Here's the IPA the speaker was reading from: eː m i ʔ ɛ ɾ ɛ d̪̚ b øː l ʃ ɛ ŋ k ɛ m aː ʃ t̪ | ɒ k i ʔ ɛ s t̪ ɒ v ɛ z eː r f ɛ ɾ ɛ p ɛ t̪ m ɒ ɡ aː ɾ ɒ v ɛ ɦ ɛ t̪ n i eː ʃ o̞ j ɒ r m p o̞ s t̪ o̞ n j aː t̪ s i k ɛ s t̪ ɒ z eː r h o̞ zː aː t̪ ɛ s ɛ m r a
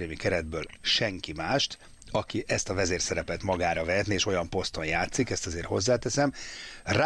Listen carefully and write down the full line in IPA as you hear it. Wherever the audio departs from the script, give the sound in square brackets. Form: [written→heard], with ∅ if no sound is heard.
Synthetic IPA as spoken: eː m i [ʔ→k] ɛ ɾ ɛ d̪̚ b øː l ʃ ɛ ŋ k [ɛ→i] m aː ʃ t̪ | ɒ k i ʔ ɛ s t̪ ɒ v ɛ z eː r [f→s] ɛ ɾ ɛ p ɛ t̪ m ɒ ɡ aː ɾ ɒ v ɛ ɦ ɛ t̪ n i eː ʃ o̞ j ɒ [r→∅] m p o̞ s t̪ o̞ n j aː t̪ s i k ɛ s t̪ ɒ z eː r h o̞ zː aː t̪ ɛ s ɛ m r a